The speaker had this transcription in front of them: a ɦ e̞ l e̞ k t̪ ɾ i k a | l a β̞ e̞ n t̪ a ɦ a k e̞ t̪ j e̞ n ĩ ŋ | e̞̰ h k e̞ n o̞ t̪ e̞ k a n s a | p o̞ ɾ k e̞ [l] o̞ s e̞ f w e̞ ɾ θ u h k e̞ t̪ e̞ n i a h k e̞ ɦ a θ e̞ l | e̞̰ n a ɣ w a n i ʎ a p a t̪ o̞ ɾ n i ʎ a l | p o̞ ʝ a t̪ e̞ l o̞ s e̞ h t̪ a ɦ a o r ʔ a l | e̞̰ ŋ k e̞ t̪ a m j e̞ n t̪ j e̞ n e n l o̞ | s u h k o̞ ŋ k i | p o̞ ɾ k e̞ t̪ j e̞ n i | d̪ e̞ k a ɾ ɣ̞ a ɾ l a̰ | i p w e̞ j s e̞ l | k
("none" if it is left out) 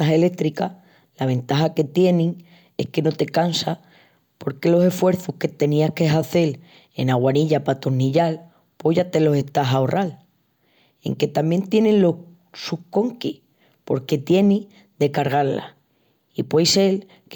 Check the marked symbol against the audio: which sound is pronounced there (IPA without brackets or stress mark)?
l